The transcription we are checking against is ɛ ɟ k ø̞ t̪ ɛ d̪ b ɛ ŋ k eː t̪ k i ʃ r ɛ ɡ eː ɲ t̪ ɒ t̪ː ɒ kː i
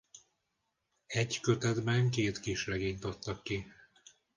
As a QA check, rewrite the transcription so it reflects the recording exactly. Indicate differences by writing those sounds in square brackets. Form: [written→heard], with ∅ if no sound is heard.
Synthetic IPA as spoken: ɛ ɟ k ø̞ t̪ ɛ d̪ b ɛ ŋ k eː t̪ k i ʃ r ɛ ɡ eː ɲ t̪ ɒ t̪ː ɒ kː i